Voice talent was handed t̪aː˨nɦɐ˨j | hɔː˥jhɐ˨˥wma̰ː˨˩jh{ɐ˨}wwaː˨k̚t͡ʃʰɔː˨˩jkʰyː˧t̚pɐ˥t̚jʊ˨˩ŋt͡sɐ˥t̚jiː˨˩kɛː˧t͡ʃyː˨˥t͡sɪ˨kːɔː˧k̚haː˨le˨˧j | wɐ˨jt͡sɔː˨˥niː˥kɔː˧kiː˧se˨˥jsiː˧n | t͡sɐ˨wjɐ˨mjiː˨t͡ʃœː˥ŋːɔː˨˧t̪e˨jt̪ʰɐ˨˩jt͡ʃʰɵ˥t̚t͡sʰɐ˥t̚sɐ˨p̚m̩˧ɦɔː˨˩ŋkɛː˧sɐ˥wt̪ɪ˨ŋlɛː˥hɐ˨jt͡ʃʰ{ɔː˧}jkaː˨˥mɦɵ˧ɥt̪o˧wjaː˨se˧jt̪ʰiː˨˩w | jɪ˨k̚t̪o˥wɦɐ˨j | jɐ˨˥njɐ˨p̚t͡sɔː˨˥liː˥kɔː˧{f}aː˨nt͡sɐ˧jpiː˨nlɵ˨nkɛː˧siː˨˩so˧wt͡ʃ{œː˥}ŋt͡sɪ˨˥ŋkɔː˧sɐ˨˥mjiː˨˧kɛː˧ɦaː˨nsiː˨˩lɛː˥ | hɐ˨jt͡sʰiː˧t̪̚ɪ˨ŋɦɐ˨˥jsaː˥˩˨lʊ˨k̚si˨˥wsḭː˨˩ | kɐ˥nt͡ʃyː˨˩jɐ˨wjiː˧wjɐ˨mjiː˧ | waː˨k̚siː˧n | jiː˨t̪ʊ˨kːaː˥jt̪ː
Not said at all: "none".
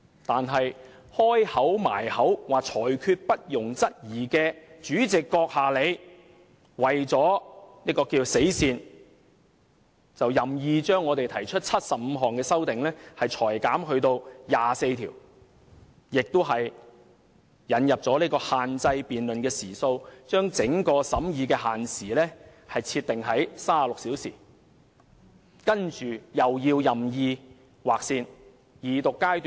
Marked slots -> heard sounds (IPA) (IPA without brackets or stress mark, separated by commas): ɐ˨˥, ɔː˨˩, h, œː˥